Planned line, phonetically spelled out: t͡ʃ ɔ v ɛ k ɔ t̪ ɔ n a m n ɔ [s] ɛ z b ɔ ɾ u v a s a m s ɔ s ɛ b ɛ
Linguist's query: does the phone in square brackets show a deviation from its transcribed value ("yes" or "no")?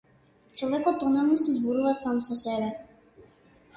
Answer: no